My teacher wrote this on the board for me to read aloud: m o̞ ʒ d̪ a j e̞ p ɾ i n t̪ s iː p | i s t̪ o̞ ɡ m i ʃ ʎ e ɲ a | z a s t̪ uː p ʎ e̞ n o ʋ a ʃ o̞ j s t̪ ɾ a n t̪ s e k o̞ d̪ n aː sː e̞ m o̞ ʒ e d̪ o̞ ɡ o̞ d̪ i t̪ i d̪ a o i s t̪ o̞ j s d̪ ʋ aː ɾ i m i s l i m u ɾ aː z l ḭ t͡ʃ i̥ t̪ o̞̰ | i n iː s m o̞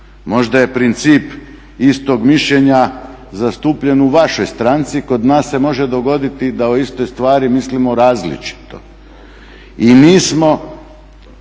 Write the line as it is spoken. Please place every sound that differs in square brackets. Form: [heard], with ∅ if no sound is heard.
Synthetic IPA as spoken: m o̞ ʒ d̪ a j e̞ p ɾ i n t̪ s iː p | i s t̪ o̞ ɡ m i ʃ ʎ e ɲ a | z a s t̪ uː p ʎ e̞ n [u] ʋ a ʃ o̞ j s t̪ ɾ a n t̪ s [i] k o̞ d̪ n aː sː e̞ m o̞ ʒ e d̪ o̞ ɡ o̞ d̪ i t̪ i d̪ a o i s t̪ o̞ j s [t̪] ʋ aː ɾ i m i s l i m [o] ɾ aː z l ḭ t͡ʃ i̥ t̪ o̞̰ | i n iː s m o̞